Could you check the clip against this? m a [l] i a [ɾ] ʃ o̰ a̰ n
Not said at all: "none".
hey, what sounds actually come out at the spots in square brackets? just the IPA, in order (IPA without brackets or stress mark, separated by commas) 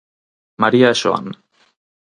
ɾ, none